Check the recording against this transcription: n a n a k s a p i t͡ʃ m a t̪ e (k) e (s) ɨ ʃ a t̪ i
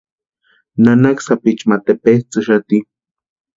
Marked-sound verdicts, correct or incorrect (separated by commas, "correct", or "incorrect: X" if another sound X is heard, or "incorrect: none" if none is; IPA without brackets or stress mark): incorrect: p, incorrect: t͡s